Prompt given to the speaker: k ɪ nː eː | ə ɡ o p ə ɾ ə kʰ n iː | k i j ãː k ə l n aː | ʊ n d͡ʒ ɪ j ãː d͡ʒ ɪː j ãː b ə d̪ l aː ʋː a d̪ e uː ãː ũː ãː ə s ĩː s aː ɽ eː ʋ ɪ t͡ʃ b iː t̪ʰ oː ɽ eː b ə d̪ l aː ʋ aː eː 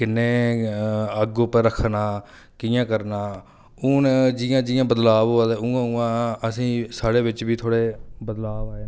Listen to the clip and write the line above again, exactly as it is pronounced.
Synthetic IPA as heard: k ɪ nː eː | ə ɡ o p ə ɾ ə kʰ n aː | k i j ãː k ə ɾ n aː | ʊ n d͡ʒ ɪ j ãː d͡ʒ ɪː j ãː b ə d̪ l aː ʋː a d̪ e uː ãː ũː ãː ə s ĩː s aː ɽ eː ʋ ɪ t͡ʃ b iː t̪ʰ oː ɽ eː b ə d̪ l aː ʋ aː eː